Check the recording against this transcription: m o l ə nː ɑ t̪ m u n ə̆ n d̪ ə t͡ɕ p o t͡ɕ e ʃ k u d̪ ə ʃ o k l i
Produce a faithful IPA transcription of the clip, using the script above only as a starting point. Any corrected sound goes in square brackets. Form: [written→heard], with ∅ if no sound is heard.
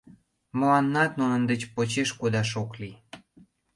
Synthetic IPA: m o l [ə→ɑ] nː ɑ t̪ [m→n] u n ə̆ n d̪ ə t͡ɕ p o t͡ɕ e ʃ k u d̪ [ə→ɑ] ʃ o k l i